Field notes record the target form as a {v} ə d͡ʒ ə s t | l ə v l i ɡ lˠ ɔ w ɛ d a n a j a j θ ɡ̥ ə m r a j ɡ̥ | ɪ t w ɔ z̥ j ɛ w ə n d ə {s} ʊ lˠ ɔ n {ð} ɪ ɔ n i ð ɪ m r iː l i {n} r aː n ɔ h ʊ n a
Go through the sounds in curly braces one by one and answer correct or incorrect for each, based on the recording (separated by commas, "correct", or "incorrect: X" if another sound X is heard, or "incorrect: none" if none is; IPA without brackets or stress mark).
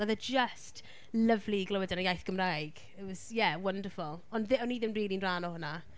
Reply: incorrect: ð, incorrect: f, correct, correct